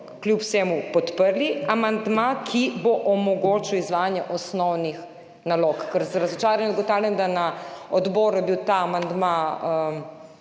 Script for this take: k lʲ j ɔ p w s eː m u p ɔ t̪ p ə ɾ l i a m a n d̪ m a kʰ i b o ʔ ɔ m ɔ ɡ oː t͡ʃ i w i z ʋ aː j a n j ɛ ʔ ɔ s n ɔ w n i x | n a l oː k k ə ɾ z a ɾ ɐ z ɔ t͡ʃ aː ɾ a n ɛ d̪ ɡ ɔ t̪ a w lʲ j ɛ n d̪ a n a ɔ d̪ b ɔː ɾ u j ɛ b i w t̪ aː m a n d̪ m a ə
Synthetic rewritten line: k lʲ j u p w s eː m u p ɔ t̪ p ə ɾ l i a m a n d̪ m a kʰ i b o ʔ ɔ m ɔ ɡ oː t͡ʃ i w i z ʋ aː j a n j ɛ ʔ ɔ s n ɔ w n i x | n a l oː k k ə ɾ z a ɾ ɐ z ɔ t͡ʃ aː ɾ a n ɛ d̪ ɡ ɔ t̪ a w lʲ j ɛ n d̪ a n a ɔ d̪ b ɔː ɾ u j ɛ b i w t̪ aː m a n d̪ m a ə